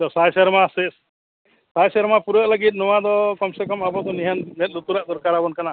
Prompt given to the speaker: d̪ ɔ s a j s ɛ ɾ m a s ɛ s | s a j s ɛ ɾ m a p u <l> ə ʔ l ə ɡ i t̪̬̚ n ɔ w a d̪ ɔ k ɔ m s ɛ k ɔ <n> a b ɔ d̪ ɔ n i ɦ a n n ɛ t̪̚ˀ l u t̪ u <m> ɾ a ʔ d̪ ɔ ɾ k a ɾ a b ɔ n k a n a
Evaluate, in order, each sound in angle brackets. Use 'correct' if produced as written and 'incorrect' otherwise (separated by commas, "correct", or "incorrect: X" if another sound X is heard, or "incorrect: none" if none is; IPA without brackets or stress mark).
incorrect: ɾ, incorrect: m, incorrect: none